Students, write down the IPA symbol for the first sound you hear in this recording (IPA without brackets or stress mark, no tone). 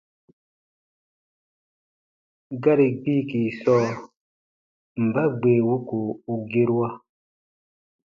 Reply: ɡ